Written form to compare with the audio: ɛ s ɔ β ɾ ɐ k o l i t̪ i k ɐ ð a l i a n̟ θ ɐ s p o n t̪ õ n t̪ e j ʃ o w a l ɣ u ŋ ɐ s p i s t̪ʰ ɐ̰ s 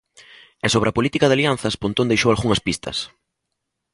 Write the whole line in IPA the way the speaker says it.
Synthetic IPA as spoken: ɛ s o β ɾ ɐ p o l i t̪ i k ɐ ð a l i a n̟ θ ɐ s p o n t̪ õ n d̪ e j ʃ o w a l ɣ u ŋ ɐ s p i s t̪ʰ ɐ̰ s